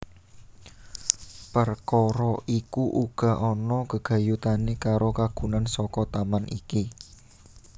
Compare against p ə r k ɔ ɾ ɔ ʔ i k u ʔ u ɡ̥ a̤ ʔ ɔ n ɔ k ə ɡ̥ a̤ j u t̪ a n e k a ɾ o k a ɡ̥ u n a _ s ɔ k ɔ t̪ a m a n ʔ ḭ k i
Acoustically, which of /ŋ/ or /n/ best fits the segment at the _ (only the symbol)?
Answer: n